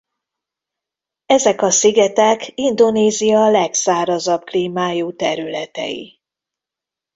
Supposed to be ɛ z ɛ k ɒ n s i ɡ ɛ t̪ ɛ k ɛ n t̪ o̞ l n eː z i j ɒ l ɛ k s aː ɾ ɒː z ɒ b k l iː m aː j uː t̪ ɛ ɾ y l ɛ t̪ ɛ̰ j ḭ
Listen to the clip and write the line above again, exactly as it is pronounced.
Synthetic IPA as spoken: ɛ z ɛ k ɒ s i ɡ ɛ t̪ ɛ k i n d̪ o̞ n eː z i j ɒ l ɛ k s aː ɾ ɒ z ɒ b k l iː m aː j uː t̪ ɛ ɾ y l ɛ t̪ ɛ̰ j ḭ